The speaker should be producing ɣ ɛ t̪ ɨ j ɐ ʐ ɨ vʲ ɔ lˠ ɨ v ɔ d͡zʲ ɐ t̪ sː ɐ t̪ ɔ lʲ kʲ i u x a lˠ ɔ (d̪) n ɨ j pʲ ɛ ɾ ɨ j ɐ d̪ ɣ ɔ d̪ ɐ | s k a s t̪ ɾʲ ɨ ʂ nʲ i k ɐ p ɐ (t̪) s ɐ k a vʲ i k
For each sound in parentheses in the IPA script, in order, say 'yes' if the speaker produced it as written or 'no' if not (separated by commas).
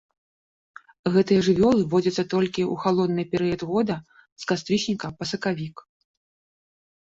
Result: yes, no